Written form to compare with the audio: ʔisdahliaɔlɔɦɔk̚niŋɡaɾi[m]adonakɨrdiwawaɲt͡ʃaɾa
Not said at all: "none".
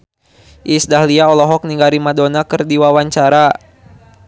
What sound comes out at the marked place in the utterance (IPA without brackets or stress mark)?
m